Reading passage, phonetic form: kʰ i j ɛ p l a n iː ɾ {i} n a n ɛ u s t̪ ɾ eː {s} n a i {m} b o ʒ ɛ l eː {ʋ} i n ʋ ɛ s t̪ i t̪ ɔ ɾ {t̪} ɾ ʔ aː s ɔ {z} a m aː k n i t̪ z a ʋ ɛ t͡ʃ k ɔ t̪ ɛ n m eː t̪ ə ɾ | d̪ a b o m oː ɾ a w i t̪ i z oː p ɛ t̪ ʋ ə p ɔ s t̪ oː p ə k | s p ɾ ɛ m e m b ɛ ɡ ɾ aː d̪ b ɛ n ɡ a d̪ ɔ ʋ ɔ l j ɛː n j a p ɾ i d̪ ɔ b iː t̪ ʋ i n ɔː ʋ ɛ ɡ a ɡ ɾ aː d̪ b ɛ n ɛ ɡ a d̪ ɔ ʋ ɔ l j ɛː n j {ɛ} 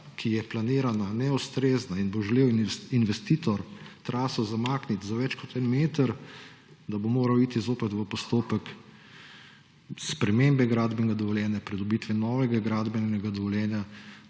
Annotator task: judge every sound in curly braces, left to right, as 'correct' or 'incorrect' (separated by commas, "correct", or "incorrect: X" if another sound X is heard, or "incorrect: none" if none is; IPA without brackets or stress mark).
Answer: incorrect: a, incorrect: z, incorrect: n, incorrect: w, correct, correct, incorrect: a